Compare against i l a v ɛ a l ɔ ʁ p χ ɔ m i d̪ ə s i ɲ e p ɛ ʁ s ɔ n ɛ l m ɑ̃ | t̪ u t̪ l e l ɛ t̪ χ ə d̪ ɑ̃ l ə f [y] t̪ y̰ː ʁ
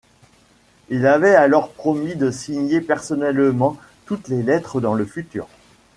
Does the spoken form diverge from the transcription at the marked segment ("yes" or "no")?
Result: no